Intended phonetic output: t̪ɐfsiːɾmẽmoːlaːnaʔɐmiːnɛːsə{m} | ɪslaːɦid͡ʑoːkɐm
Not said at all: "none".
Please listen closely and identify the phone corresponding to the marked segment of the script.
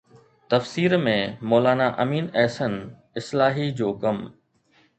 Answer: n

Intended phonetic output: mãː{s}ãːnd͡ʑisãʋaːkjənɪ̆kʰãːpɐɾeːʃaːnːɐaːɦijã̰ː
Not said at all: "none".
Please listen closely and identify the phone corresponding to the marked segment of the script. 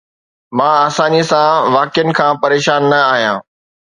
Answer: s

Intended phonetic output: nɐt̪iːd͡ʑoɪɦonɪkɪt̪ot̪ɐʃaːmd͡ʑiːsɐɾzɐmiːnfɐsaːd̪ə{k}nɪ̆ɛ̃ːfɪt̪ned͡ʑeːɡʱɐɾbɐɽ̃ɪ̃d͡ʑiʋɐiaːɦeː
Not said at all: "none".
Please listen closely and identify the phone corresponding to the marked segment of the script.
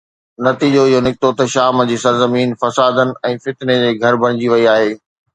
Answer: none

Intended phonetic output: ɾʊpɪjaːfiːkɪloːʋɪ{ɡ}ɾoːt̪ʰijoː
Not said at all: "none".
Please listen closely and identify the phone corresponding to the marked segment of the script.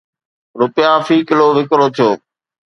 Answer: k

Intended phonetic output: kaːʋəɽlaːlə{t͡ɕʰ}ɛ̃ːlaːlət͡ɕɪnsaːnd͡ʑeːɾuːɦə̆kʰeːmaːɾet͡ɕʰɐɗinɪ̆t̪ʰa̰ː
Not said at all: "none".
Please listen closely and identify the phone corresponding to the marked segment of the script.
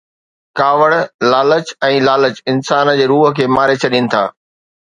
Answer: t͡ɕ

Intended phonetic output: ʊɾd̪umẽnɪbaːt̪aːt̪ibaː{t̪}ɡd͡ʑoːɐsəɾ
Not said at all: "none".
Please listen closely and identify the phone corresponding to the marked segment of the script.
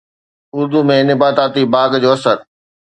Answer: none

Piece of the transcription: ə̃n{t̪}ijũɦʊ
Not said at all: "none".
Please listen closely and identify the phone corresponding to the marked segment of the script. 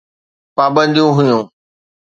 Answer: d̪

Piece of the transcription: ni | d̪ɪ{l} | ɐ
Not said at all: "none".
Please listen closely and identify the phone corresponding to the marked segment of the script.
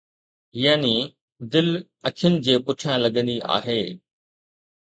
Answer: l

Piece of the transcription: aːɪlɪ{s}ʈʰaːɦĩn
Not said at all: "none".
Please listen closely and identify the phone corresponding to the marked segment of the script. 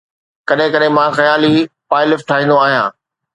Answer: f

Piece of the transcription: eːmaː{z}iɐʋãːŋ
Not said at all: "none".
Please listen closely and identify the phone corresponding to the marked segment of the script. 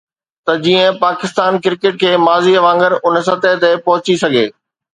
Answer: z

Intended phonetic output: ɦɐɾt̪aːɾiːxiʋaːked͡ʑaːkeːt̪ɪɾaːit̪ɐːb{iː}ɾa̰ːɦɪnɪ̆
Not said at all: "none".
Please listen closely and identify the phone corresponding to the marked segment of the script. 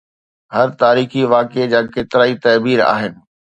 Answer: iː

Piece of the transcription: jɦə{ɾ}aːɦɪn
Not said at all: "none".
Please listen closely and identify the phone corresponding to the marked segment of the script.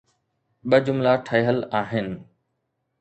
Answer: l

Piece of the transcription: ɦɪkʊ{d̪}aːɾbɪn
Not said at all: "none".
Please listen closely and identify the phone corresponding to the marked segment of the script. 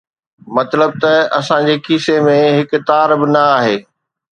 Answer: t̪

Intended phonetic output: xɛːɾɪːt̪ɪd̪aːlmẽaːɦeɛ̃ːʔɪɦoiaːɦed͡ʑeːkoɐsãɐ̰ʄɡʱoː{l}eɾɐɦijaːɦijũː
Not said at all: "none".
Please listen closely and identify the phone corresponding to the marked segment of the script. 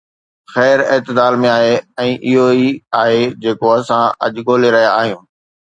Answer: l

